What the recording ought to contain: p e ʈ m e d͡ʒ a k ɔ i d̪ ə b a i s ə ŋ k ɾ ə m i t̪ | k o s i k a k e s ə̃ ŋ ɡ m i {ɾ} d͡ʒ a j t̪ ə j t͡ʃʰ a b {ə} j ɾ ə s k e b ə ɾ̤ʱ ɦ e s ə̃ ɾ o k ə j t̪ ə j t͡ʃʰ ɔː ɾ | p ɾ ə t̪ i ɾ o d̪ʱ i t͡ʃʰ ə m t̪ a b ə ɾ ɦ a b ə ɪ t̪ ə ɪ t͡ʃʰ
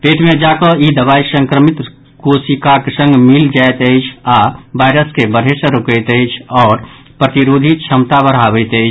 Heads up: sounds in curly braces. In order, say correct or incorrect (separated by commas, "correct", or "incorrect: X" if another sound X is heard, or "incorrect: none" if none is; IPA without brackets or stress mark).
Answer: incorrect: l, incorrect: a